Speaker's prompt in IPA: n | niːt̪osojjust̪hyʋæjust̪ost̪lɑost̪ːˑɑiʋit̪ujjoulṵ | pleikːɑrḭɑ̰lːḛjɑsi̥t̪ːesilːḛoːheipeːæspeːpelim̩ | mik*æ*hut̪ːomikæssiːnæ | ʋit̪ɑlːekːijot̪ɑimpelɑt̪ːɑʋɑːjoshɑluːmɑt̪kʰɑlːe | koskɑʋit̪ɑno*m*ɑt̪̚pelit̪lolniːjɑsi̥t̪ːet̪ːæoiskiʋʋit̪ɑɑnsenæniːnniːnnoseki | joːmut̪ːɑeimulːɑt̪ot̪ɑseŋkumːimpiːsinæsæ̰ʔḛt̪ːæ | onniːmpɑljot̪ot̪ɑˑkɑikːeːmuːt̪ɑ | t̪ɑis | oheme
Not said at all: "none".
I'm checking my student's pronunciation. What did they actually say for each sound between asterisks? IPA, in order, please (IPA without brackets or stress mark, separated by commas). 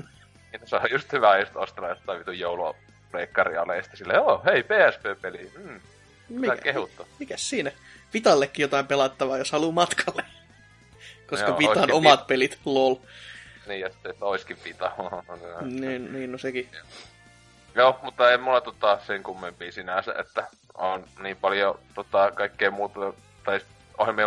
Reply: e, m